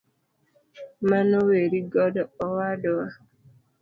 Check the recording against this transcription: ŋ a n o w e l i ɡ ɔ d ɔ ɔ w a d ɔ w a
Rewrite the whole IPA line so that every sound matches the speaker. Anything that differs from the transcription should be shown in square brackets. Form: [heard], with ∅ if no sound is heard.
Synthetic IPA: [m] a n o w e [ɾ] i ɡ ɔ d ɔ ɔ w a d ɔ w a